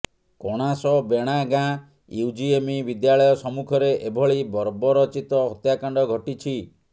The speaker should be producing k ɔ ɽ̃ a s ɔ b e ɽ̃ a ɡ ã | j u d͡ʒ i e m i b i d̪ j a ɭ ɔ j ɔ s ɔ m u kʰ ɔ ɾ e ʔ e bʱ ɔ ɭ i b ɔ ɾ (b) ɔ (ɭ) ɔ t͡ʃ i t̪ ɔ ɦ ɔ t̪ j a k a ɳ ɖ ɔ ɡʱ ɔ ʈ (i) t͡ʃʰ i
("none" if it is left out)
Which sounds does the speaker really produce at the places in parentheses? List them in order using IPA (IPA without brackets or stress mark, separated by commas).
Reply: b, ɾ, i